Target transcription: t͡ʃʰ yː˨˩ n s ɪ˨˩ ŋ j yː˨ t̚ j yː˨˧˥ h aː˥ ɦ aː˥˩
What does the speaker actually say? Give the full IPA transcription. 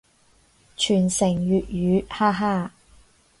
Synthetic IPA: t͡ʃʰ yː˨˩ n s ɪ˨˩ ŋ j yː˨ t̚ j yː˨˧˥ h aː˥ ɦ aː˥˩

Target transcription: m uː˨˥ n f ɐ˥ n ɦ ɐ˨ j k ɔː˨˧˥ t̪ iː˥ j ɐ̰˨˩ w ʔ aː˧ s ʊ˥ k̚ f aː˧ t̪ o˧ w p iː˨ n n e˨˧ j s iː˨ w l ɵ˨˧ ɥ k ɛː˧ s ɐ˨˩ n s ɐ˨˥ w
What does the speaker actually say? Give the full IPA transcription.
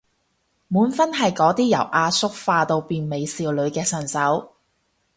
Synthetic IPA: m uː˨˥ n f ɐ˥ n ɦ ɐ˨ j k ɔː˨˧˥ t̪ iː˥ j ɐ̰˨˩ w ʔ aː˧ s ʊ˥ k̚ f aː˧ t̪ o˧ w p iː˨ n m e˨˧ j s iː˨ w l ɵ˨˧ ɥ k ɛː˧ s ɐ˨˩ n s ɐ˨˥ w

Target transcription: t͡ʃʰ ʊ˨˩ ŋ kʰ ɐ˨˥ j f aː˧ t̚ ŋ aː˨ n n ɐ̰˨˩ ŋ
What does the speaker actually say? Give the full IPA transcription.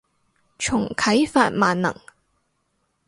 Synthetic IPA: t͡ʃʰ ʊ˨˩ ŋ kʰ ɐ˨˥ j f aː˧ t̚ m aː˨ n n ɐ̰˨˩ ŋ

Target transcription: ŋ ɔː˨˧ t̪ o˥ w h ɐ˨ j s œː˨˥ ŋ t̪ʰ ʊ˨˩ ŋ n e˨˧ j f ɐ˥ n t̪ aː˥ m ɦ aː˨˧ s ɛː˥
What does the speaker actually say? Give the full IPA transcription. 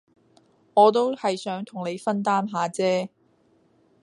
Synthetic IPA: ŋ ɔː˨˧ t̪ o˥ w h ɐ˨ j s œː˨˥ ŋ t̪ʰ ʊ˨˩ ŋ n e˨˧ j f ɐ˥ n t̪ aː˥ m ɦ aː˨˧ t͡s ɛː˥

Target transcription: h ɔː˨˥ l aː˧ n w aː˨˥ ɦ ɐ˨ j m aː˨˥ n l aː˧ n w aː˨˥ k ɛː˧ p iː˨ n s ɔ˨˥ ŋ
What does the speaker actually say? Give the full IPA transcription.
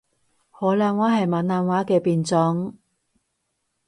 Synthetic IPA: h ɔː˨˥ l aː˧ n w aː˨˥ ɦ ɐ˨ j m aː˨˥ n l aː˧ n w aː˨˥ k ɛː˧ p iː˨ n t͡s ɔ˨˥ ŋ

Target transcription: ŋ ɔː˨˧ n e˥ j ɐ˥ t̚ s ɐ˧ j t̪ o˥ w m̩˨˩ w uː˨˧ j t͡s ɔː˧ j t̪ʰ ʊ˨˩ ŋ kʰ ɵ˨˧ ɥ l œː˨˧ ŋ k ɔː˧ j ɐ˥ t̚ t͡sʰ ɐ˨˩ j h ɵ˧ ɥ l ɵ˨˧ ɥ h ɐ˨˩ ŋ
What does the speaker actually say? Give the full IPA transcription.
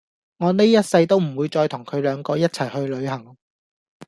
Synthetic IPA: ŋ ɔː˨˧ n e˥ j ɐ˥ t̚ s ɐ˧ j t̪ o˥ w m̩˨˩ w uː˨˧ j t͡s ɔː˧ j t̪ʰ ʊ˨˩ ŋ kʰ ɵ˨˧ ɥ l œː˨˧ ŋ k ɔː˧ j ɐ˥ t̚ t͡sʰ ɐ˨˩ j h ɵ˧ ɥ l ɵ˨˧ ɥ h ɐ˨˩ ŋ

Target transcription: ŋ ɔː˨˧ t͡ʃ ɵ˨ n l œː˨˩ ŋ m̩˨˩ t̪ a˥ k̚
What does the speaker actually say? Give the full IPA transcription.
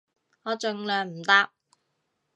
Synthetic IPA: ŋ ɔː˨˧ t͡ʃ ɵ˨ ŋ l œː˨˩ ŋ m̩˨˩ t̪ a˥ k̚

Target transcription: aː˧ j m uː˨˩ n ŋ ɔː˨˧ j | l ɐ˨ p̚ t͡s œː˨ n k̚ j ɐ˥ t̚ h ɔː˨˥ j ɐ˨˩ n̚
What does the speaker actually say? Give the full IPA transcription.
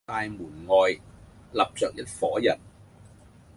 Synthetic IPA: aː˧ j m uː˨˩ n ŋ ɔː˨˧ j | l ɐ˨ p̚ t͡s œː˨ k̚ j ɐ˥ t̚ f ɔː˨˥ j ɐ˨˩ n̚

